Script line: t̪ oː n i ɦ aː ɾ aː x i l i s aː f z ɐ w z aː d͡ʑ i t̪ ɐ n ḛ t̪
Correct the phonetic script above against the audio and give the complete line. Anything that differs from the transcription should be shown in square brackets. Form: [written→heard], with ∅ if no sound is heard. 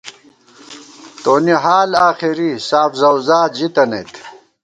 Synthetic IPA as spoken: t̪ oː n i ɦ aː [ɾ→l] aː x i [l→ɾ] i s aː f z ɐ w z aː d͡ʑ i t̪ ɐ n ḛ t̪

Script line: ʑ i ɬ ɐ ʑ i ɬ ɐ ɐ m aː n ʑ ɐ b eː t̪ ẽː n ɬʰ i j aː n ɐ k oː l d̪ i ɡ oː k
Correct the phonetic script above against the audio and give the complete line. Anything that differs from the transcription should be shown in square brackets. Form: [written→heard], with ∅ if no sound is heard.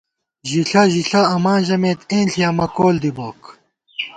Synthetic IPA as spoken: ʑ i ɬ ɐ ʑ i ɬ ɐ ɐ m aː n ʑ ɐ [b→m] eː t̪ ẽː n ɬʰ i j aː [n→m] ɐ k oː l d̪ i [ɡ→b] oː k

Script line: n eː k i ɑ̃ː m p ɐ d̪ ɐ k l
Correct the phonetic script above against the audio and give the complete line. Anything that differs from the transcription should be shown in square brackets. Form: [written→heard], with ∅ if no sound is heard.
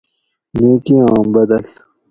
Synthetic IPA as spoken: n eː k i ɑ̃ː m [p→b] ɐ d̪ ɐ [k→∅] l

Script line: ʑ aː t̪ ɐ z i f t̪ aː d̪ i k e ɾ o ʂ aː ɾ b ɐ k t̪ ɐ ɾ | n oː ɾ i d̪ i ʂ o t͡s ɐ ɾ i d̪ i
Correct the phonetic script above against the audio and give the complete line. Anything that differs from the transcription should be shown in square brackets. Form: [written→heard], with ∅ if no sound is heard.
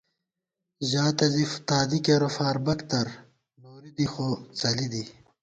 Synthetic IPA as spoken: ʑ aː t̪ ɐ z i f t̪ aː d̪ i k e ɾ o [ʂ→f] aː ɾ b ɐ k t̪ ɐ ɾ | n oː ɾ i d̪ i [ʂ→x] o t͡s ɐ [ɾ→l] i d̪ i

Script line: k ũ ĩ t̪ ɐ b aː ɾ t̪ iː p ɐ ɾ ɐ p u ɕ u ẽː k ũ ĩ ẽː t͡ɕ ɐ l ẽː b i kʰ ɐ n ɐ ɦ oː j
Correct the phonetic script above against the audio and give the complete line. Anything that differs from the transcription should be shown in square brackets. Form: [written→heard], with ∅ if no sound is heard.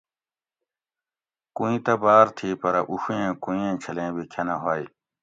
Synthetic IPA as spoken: k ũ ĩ t̪ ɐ b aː ɾ [t̪→t̪ʰ] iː p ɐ ɾ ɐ [p→ʔ] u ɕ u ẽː k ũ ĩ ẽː [t͡ɕ→t͡ɕʰ] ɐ l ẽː b i kʰ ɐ n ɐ ɦ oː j

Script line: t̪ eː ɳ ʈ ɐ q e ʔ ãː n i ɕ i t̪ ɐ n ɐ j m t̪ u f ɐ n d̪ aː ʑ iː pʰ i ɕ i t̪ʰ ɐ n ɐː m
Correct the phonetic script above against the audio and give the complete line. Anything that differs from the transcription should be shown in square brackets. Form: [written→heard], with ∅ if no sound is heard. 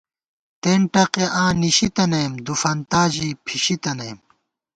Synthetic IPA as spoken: t̪ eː ɳ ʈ ɐ q e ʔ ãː n i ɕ i t̪ ɐ n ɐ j m [t̪→d̪] u f ɐ n [d̪→t̪] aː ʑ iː pʰ i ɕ i [t̪ʰ→t̪] ɐ n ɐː m

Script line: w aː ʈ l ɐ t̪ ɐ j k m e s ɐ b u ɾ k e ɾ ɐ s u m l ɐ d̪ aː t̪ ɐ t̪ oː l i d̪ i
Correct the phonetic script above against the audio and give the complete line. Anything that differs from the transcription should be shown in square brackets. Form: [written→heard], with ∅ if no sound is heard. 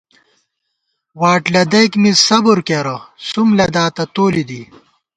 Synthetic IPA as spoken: w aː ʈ l ɐ [t̪→d̪] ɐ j k m [e→i] s ɐ b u ɾ k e ɾ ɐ s u m l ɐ d̪ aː t̪ ɐ t̪ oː l i d̪ i

